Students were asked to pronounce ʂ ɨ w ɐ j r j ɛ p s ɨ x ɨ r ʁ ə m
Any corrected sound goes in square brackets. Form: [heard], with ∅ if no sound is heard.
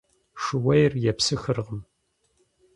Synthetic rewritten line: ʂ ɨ w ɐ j r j ɛ p s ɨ x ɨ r ʁ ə m